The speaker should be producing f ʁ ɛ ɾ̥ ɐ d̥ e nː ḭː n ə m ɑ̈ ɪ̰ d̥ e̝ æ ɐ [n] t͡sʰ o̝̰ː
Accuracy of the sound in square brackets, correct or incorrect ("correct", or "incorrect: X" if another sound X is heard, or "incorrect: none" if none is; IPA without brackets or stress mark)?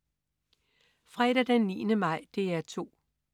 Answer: incorrect: none